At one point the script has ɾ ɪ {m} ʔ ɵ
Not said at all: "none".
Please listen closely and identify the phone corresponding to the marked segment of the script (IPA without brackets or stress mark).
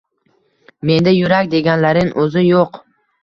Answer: ŋ